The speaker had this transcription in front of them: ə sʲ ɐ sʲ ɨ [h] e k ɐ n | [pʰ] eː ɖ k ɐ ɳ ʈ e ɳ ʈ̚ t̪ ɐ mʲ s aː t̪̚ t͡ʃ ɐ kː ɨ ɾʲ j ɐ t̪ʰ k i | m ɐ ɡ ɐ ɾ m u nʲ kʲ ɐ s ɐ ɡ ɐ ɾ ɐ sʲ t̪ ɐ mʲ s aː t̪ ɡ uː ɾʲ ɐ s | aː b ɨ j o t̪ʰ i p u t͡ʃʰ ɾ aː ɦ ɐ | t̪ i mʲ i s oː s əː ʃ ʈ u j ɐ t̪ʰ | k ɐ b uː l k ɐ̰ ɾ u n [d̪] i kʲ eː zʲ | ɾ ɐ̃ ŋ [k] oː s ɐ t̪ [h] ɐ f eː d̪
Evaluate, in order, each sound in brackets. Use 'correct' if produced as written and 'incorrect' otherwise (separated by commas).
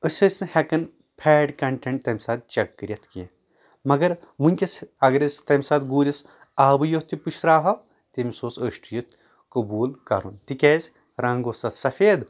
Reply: correct, correct, incorrect, incorrect, incorrect